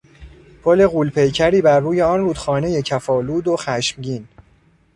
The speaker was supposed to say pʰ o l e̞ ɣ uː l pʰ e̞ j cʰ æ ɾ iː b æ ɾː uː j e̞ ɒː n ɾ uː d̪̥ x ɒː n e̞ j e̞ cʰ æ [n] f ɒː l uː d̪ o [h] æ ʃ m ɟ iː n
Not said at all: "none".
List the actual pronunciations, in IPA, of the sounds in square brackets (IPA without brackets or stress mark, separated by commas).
none, x